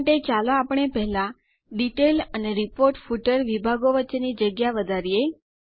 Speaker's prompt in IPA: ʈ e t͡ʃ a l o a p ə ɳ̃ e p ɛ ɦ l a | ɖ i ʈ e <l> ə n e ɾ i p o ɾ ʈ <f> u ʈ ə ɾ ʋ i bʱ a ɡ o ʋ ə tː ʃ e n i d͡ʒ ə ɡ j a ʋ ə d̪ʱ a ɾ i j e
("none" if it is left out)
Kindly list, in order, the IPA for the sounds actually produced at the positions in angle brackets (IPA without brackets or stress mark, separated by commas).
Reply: l, f